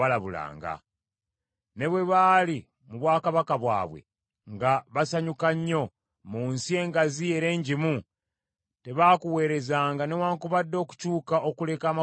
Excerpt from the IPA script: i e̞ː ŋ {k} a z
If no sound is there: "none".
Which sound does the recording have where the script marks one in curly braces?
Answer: ɡ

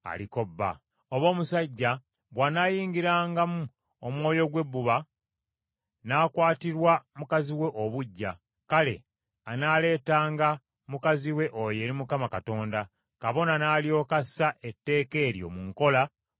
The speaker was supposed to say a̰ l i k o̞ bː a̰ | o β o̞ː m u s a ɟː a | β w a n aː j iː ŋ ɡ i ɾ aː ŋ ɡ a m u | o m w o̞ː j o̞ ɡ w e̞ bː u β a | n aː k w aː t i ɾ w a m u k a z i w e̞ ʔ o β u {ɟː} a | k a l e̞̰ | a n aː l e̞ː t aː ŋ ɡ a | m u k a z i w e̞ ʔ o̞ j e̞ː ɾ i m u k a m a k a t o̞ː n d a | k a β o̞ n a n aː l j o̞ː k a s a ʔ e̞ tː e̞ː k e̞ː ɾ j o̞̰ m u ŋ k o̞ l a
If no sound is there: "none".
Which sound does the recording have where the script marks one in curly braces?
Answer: ɟː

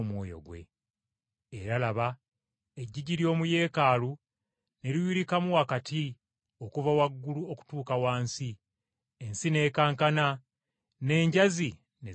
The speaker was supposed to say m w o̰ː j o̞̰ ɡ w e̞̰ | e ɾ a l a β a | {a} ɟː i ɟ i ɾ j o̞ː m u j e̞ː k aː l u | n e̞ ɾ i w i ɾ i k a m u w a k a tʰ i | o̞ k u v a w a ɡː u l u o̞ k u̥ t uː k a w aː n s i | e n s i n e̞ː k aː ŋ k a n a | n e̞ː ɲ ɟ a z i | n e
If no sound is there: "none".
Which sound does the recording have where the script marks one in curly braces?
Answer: e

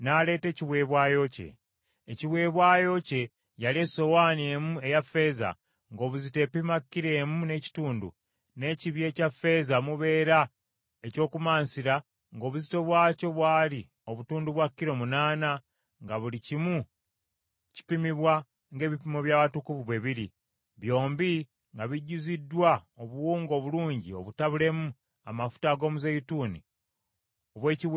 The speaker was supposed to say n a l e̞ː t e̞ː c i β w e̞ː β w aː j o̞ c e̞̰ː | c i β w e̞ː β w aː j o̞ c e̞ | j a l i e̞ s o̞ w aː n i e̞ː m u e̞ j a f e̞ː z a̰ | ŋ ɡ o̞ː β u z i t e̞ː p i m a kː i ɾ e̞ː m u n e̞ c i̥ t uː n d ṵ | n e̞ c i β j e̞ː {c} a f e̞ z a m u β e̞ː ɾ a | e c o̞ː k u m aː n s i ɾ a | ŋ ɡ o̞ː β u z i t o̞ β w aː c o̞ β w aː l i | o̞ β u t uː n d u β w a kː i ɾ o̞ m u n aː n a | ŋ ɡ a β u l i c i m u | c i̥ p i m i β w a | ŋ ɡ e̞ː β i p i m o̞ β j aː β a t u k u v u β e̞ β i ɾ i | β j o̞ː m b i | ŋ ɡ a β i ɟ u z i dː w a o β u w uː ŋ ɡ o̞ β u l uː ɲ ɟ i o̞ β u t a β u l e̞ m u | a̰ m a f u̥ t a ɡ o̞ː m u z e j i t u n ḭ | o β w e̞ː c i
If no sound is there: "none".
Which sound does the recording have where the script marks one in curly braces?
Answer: c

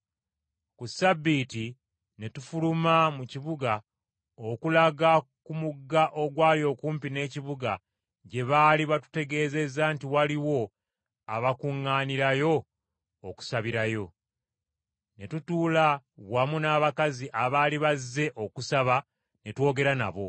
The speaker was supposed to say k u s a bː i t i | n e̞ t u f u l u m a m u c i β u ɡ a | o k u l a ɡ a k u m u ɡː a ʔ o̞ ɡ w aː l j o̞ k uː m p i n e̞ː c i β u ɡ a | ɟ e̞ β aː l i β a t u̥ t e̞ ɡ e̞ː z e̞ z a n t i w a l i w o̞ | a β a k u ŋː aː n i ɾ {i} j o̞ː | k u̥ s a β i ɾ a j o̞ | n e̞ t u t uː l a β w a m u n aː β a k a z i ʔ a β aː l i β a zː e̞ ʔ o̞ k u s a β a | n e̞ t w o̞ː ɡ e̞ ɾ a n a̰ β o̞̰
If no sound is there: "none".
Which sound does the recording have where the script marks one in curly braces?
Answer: a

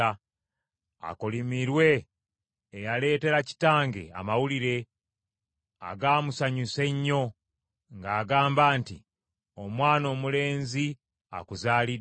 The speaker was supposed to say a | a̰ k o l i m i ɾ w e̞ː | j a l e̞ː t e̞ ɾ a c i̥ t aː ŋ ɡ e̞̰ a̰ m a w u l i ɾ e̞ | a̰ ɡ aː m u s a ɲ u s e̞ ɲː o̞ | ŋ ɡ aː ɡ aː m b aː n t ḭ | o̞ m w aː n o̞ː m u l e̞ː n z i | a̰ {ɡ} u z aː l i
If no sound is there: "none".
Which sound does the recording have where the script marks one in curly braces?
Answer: k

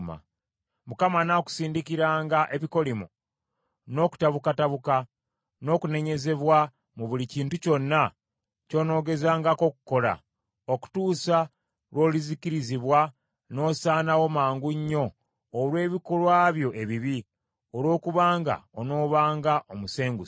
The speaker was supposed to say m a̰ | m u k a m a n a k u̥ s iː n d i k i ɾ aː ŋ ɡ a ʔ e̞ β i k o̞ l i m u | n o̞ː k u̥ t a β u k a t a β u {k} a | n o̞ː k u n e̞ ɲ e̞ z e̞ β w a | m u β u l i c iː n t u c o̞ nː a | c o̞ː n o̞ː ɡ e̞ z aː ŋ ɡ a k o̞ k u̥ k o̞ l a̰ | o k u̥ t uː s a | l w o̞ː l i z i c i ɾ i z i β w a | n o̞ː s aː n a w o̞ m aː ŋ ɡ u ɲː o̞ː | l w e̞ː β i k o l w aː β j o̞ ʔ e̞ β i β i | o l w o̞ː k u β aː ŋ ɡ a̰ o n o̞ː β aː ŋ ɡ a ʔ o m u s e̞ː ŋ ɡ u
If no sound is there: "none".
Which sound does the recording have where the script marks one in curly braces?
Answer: k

